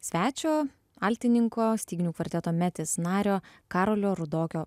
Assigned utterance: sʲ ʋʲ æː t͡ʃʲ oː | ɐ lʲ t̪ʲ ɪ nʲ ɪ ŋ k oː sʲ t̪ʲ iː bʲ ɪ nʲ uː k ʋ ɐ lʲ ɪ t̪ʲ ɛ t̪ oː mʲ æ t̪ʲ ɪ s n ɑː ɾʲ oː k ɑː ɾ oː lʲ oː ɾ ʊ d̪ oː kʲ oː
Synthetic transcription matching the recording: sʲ ʋʲ æː t͡ʃʲ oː | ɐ lʲ t̪ʲ ɪ nʲ ɪ ŋ k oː sʲ t̪ʲ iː ɡʲ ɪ nʲ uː k ʋ ɐ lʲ ɪ t̪ʲ ɛ t̪ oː mʲ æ t̪ʲ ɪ s n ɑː ɾʲ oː k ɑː ɾ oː lʲ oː ɾ ʊ d̪ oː kʲ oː